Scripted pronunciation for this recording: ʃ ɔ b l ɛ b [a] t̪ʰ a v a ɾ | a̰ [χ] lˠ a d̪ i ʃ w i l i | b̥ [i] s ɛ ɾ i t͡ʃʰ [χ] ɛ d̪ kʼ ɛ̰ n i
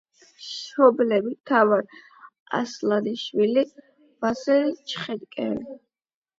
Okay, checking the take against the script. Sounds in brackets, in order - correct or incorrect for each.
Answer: incorrect: i, incorrect: s, incorrect: a, correct

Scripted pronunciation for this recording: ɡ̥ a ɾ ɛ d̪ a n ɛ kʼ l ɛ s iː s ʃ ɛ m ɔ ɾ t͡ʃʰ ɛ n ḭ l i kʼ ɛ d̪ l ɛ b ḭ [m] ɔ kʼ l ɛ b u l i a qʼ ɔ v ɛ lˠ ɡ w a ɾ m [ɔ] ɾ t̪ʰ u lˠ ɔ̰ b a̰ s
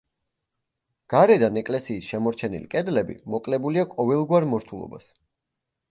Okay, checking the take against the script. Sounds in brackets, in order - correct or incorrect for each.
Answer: correct, correct

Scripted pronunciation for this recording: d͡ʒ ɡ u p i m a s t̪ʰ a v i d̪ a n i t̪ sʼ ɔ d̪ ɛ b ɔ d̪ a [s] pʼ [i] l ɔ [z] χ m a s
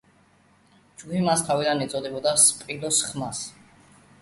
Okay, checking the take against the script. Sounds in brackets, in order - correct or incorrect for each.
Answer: correct, correct, incorrect: s

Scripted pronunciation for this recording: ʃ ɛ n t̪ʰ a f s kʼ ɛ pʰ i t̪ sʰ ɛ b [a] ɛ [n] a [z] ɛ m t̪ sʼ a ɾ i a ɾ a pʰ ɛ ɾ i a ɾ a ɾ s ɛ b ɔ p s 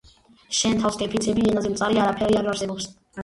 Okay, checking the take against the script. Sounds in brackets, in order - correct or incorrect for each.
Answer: incorrect: i, correct, correct

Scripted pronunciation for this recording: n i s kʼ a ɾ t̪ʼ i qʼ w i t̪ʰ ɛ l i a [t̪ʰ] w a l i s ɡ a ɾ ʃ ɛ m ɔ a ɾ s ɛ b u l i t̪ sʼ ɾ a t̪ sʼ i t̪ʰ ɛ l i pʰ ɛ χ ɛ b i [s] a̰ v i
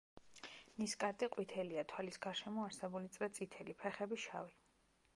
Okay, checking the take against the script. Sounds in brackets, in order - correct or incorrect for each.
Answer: correct, incorrect: ʃ

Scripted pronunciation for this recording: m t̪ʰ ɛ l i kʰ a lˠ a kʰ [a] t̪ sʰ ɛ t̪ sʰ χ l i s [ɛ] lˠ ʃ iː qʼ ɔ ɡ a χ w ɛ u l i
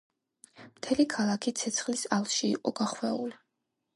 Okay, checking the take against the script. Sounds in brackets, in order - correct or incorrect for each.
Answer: incorrect: i, incorrect: a

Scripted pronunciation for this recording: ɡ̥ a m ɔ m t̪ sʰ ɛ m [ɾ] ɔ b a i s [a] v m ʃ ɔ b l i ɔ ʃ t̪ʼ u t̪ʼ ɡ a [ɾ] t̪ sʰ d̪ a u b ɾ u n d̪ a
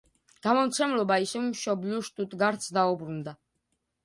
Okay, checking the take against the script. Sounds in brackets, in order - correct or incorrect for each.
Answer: incorrect: l, incorrect: ɛ, correct

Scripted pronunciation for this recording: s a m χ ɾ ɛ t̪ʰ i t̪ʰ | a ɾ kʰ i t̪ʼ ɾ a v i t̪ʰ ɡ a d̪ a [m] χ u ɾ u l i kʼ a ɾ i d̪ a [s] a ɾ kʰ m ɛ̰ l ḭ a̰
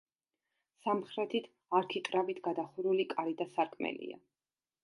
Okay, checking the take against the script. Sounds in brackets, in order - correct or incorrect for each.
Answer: incorrect: none, correct

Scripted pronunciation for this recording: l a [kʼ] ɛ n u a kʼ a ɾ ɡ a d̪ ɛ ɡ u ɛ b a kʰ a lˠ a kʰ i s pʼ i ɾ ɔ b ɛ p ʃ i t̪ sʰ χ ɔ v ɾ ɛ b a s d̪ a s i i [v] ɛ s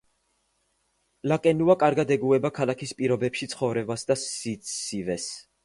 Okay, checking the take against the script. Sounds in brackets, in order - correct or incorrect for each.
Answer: correct, correct

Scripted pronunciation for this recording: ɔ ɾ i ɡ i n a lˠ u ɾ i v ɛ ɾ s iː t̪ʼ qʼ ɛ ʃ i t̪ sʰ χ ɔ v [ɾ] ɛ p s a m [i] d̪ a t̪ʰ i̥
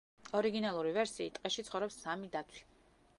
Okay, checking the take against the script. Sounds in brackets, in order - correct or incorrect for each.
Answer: correct, correct

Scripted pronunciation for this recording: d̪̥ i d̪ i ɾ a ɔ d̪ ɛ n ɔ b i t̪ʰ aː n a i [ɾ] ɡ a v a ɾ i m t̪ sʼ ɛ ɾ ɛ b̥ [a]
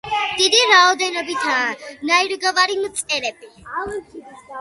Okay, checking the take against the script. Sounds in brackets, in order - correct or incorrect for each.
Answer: correct, incorrect: i

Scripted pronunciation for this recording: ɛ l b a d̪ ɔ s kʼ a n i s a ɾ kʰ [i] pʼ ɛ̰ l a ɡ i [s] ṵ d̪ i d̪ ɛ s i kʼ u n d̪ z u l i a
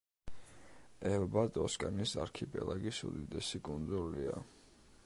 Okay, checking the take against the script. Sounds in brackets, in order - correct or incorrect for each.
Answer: correct, correct

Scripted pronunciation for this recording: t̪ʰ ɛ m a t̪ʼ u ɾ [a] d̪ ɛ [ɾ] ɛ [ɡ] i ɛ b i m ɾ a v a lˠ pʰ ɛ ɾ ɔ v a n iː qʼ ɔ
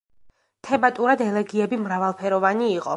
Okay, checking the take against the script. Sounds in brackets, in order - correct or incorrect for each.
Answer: correct, incorrect: l, correct

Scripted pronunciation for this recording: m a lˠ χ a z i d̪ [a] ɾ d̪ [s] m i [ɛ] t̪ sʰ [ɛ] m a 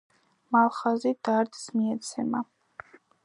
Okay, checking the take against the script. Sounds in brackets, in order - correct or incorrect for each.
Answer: correct, correct, correct, correct

